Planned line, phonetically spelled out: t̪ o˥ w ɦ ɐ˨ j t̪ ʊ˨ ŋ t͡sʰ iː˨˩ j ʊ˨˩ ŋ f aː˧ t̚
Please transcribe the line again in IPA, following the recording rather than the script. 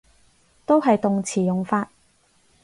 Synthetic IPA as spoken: t̪ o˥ w ɦ ɐ˨ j t̪ ʊ˨ ŋ t͡sʰ iː˨˩ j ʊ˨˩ ŋ f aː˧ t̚